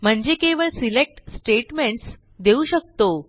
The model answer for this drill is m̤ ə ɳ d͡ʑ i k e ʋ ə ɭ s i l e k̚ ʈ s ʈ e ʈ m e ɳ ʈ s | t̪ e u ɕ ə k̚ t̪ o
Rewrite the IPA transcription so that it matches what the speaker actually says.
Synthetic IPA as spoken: m̤ ə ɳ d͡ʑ e k e ʋ ə ɭ s i l e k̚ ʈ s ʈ e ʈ m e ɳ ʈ s | d̪ e u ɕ ə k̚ t̪ o